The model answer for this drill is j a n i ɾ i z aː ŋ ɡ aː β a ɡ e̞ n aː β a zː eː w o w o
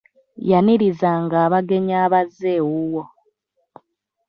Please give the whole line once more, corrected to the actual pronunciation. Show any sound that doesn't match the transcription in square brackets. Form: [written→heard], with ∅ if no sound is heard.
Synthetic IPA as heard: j a n i ɾ i z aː ŋ ɡ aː β a ɡ e̞ [n→ɲ] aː β a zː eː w [o→u] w o